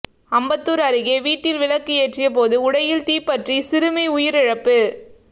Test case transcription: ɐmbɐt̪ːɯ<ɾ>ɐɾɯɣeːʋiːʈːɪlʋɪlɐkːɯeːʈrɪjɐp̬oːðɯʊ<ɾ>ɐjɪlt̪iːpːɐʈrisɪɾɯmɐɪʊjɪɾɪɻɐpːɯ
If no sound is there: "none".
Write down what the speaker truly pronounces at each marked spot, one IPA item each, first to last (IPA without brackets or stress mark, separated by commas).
ɾ, ɽ